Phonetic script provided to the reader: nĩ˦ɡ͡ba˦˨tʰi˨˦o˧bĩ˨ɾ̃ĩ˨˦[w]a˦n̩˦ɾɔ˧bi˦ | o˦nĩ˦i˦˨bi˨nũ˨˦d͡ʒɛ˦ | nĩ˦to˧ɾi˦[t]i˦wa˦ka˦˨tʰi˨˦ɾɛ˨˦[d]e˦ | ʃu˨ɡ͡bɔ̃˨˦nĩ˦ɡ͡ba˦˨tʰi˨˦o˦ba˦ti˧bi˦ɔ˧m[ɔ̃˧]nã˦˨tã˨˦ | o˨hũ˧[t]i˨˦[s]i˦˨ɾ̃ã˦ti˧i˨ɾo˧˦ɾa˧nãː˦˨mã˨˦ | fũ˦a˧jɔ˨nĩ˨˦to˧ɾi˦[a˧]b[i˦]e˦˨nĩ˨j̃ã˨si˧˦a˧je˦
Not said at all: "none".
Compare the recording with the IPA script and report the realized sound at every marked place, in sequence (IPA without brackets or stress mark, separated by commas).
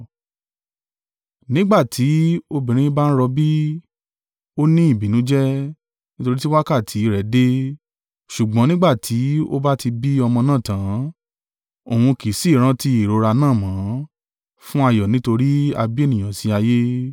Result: b, t, d, ɔ̃˧, k, s, a˧, i˦